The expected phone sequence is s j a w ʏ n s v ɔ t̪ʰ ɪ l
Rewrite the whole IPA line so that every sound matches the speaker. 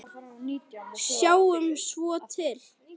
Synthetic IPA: s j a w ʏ m s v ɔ t̪ʰ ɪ l